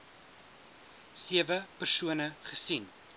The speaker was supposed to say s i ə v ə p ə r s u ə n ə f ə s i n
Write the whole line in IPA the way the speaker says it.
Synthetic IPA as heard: s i ə v ə p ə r s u ə n ə χ ə s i n